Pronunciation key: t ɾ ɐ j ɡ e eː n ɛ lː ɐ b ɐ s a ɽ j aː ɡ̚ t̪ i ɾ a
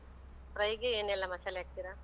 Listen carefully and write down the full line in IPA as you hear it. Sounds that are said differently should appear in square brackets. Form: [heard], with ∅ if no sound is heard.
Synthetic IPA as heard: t ɾ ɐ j ɡ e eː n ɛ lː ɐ [m] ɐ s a [l] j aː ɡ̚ t̪ i ɾ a